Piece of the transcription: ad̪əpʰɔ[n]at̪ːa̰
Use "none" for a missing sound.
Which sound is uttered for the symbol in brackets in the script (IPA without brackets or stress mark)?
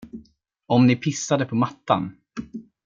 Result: m